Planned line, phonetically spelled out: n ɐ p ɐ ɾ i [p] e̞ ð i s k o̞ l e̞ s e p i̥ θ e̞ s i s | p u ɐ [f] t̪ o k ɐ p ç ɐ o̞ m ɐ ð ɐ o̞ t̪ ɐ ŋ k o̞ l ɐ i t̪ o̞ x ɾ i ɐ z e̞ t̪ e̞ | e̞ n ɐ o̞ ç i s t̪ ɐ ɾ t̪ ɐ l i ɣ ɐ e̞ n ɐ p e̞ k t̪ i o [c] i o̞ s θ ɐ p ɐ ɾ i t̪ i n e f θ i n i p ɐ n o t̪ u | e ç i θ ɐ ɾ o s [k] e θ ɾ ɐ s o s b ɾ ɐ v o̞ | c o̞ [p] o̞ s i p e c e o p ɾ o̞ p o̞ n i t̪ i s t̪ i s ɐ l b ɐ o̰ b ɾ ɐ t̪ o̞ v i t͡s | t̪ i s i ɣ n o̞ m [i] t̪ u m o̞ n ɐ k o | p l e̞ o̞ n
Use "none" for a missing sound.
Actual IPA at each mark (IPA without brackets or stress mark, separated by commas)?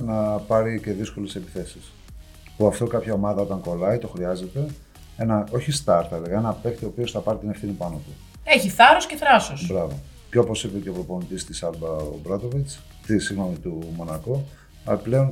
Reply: c, f, p, c, p, i